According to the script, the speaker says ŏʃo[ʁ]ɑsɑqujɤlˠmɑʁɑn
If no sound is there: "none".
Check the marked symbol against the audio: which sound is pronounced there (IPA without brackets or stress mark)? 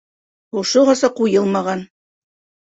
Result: ʁ